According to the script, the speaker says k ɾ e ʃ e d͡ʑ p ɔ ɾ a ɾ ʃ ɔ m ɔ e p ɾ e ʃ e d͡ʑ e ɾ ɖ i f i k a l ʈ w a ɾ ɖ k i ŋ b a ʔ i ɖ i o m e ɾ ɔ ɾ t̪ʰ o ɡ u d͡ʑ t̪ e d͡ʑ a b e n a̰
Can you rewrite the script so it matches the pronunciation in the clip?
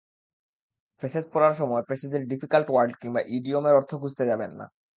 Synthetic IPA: p ɾ e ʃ e d͡ʑ p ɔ ɾ a ɾ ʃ ɔ m ɔ e p ɾ e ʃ e d͡ʑ e ɾ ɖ i f i k a l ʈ w a ɾ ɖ k i ŋ b a ʔ i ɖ i o m e ɾ ɔ ɾ t̪ʰ o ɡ u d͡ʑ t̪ e d͡ʑ a b e nː a̰